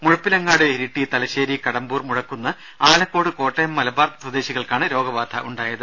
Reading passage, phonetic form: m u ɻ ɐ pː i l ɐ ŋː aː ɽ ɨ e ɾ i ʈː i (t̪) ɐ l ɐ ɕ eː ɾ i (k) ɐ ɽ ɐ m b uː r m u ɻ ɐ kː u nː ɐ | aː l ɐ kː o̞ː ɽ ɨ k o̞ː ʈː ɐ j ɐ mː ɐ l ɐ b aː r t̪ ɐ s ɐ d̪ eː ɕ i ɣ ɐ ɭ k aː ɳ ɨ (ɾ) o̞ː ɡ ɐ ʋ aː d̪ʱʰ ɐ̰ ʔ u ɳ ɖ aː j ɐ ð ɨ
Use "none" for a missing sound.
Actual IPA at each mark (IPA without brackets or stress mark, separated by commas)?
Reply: t̪, k, ɾ